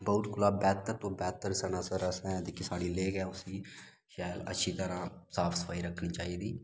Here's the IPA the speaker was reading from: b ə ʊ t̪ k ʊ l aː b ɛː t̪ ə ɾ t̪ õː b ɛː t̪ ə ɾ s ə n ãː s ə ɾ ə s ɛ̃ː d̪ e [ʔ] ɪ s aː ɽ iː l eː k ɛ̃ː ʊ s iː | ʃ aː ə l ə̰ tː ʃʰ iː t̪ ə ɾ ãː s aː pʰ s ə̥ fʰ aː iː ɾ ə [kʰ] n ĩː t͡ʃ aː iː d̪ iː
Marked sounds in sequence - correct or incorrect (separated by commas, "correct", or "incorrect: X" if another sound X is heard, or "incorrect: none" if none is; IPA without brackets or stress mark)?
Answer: incorrect: k, correct